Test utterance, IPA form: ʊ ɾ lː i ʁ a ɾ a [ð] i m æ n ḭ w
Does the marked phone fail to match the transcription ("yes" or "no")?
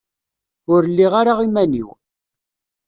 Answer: yes